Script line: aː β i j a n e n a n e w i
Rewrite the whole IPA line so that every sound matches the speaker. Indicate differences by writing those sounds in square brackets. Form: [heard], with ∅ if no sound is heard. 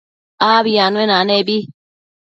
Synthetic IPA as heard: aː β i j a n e n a n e [b] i